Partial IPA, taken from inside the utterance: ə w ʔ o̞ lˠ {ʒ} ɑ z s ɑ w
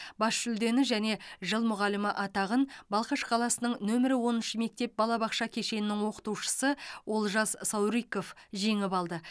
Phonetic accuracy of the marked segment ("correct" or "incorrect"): correct